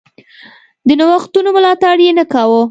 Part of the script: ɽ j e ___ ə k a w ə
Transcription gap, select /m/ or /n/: n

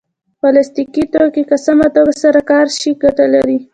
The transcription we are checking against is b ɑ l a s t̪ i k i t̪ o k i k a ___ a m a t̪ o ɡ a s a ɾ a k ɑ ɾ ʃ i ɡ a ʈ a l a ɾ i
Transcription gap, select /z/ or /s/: s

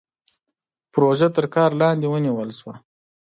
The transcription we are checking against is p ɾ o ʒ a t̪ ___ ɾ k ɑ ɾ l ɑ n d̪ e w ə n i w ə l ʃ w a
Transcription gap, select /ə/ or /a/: ə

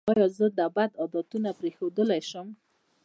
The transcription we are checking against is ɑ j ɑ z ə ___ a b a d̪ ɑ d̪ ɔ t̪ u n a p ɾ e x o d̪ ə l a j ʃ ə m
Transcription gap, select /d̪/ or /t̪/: d̪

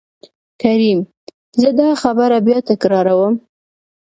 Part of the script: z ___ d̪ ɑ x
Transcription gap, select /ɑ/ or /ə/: ə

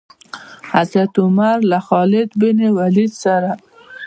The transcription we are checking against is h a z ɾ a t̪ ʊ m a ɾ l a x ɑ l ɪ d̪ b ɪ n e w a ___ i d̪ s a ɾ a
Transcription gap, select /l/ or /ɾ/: l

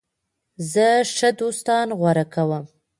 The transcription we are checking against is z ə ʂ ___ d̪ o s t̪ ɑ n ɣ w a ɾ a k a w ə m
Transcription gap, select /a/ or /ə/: ə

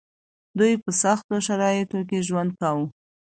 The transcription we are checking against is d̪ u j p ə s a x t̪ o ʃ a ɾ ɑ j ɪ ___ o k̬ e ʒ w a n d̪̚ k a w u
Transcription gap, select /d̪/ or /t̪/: t̪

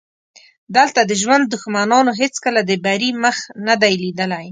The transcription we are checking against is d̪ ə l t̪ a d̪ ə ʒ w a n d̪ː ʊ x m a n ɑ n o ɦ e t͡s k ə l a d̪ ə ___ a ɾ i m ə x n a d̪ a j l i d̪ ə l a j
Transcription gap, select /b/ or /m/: b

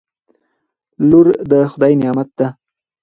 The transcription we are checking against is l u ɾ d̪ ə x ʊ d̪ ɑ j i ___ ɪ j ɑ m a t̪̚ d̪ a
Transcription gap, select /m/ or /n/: n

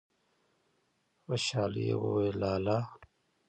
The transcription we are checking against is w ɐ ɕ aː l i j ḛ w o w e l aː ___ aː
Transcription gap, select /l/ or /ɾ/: l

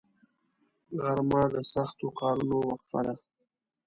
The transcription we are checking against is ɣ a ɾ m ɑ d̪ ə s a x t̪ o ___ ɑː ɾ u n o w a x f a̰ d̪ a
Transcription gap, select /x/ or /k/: k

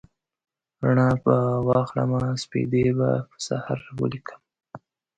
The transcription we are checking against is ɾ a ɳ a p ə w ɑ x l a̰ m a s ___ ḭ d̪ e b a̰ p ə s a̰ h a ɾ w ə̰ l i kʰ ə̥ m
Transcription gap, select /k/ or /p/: p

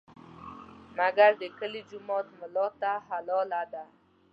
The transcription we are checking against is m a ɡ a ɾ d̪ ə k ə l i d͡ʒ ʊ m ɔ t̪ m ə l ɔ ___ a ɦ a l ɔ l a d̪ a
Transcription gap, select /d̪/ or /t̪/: t̪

